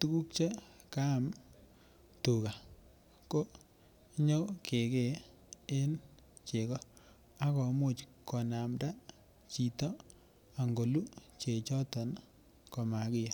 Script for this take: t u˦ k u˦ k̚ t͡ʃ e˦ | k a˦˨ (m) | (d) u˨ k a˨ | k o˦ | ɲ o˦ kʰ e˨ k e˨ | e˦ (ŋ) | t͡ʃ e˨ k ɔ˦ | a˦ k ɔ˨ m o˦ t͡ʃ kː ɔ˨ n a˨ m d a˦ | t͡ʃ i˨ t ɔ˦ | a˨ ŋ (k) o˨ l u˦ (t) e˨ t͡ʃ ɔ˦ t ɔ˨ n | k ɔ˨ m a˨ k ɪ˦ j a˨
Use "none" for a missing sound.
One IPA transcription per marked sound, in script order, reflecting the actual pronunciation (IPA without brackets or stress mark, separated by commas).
m, t, n, ɡ, t͡ʃ